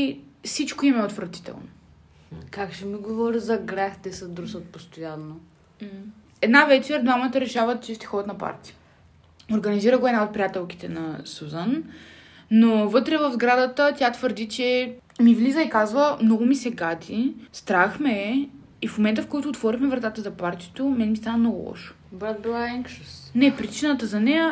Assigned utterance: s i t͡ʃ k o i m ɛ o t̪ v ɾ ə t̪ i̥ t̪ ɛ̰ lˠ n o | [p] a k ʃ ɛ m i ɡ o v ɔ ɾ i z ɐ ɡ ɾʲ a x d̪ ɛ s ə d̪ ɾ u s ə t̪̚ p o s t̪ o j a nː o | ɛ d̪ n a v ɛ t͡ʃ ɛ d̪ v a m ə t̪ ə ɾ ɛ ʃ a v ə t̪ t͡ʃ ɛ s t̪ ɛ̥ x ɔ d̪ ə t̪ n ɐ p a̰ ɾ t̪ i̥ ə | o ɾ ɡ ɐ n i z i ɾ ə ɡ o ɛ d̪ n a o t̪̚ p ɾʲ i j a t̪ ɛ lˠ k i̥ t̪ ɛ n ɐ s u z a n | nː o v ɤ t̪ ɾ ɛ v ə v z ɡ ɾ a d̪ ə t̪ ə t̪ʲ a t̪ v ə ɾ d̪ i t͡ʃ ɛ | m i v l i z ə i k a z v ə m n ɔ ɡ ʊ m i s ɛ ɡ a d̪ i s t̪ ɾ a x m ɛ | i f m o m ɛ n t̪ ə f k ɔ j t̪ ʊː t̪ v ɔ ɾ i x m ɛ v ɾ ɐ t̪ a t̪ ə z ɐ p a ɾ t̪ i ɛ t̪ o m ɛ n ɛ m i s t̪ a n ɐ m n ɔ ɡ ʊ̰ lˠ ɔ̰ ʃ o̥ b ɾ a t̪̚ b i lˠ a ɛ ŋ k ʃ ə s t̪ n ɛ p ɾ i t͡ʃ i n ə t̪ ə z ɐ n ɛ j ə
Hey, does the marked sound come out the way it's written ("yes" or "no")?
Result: no